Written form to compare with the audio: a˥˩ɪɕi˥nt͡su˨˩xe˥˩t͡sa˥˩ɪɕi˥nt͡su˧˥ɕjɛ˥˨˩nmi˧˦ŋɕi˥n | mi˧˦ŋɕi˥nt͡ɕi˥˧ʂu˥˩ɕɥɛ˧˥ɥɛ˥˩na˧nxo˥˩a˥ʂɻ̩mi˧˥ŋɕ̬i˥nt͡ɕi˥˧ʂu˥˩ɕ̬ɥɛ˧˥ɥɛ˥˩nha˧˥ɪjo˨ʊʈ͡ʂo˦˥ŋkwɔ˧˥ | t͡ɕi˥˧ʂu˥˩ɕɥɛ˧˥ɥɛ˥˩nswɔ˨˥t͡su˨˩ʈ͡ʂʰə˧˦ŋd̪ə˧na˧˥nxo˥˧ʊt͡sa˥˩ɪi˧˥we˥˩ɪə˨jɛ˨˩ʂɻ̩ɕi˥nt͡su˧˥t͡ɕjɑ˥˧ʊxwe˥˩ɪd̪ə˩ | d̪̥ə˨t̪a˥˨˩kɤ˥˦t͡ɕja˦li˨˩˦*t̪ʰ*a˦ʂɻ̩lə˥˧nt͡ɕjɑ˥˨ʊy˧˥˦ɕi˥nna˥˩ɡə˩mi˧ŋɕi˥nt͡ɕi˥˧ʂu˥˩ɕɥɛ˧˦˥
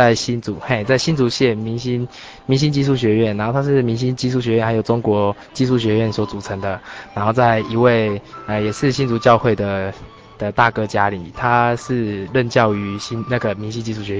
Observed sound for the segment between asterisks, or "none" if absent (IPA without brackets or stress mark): t̪ʰ